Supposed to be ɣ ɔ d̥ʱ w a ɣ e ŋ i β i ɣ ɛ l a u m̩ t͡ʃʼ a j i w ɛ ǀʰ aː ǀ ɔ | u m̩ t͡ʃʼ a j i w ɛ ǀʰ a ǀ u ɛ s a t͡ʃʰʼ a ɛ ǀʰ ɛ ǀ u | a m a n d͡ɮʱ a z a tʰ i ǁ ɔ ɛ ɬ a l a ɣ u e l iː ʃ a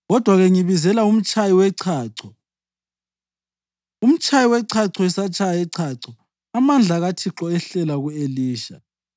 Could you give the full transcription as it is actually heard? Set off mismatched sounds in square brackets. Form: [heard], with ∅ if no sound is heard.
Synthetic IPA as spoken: ɣ ɔ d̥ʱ w a ɣ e ŋ i β i [z] ɛ l a u m̩ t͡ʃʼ a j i w ɛ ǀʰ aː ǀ ɔ | u m̩ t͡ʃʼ a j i w ɛ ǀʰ a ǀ [ɔ] ɛ s a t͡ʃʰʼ a ɛ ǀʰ [a] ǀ [ɔ] | a m a n d͡ɮʱ a [ɣ] a tʰ i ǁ ɔ ɛ ɬ [ɛ] l a ɣ u e l iː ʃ a